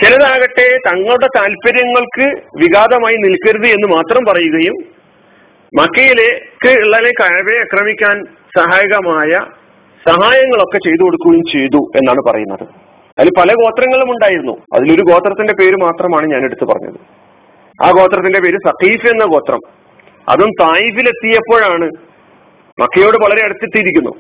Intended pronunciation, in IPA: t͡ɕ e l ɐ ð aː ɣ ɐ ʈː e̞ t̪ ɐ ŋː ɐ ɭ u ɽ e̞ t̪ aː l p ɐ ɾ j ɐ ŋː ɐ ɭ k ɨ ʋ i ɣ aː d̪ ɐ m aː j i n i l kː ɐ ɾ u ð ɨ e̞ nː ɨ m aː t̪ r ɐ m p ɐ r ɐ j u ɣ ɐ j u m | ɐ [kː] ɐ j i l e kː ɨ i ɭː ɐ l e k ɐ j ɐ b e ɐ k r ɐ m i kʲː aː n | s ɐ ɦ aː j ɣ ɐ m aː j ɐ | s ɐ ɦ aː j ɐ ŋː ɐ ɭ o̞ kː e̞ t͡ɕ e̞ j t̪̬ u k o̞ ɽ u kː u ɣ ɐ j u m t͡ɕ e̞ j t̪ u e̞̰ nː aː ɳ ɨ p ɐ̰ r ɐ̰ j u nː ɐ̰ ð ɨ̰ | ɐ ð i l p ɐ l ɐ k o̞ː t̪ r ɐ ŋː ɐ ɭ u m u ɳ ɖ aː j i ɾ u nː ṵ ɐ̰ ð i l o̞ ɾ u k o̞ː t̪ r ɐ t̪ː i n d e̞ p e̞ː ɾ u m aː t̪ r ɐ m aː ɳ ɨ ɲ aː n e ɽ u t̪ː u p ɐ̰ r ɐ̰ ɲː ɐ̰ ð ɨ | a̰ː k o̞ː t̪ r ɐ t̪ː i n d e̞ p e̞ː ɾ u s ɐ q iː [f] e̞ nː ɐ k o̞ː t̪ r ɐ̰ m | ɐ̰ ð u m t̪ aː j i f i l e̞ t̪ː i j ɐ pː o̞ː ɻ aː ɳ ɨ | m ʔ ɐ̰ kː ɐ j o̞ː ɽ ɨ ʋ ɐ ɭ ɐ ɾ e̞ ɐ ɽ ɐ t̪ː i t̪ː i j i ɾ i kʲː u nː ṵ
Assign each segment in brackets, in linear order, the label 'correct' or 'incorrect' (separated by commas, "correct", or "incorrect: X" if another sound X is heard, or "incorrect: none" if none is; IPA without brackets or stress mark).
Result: correct, correct